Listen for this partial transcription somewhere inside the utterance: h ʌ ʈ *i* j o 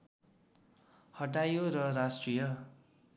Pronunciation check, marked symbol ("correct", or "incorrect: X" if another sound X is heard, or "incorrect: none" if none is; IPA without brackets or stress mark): incorrect: a